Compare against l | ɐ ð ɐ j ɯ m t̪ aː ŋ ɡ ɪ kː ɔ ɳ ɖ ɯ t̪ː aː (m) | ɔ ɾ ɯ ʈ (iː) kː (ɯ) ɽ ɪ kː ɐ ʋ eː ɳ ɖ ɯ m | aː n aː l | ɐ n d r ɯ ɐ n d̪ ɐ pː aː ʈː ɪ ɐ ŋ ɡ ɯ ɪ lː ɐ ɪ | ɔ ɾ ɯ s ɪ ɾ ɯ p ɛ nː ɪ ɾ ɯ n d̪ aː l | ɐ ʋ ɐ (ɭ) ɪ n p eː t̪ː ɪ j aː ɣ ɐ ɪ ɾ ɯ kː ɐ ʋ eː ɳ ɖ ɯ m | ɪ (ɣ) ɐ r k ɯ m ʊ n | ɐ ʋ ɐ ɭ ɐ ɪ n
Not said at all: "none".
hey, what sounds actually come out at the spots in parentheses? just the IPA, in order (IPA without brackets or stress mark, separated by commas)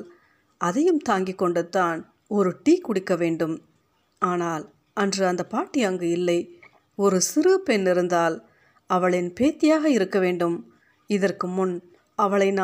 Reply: n, iː, ʊ, ɭ, ð